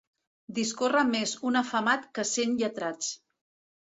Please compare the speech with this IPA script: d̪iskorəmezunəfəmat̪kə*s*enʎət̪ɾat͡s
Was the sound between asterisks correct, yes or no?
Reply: yes